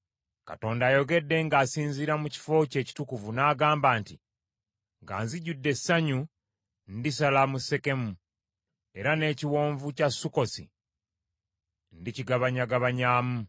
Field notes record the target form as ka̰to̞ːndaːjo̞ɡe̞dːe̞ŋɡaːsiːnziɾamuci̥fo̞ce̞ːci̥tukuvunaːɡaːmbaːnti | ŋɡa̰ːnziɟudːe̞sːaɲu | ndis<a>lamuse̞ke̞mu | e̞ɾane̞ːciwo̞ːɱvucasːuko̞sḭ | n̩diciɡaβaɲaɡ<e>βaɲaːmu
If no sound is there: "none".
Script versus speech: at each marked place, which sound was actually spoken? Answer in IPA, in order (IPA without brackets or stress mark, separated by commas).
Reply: a, a